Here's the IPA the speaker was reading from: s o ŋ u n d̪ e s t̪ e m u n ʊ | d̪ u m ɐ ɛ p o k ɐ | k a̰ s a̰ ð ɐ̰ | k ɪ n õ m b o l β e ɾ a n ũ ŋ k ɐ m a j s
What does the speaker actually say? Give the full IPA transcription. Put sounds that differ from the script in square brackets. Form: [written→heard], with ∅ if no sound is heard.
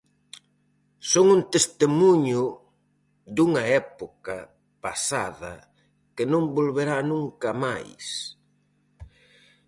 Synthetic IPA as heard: s o ŋ u n [d̪→t̪] e s t̪ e m u [n→ɲ] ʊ | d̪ u [m→ŋ] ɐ ɛ p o k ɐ | [k→p] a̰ s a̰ ð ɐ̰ | k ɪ n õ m b o l β e ɾ a n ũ ŋ k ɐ m a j s